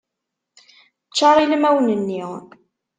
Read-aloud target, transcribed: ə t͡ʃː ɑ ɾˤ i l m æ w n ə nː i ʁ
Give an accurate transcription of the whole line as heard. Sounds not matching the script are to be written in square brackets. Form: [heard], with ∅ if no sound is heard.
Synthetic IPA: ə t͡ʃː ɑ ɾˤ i l m æ w n ə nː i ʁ